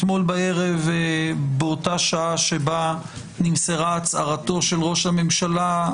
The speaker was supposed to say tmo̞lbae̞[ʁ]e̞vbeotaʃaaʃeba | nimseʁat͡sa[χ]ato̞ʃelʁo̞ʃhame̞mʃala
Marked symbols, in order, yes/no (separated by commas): yes, no